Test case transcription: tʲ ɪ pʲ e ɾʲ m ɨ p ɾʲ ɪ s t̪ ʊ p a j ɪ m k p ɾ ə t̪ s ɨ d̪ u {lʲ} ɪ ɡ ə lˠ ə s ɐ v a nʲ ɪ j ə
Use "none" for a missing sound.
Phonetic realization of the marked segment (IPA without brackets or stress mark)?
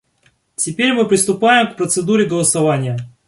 ɾʲ